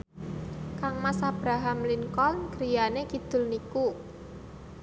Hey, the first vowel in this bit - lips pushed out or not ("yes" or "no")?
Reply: no